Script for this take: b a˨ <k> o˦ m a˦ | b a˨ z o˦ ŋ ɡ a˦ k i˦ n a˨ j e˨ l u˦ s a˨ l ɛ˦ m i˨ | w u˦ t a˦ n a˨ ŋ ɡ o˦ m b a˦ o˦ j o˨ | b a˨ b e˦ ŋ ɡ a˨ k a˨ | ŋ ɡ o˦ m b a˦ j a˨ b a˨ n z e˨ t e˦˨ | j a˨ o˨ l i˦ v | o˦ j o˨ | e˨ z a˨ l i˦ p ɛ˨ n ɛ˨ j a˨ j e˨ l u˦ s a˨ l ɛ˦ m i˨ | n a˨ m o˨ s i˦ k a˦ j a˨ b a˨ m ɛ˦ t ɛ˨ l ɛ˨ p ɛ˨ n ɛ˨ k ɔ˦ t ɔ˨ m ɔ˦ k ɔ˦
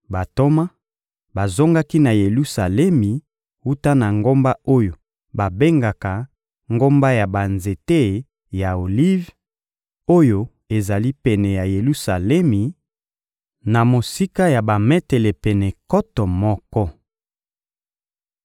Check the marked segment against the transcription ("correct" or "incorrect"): incorrect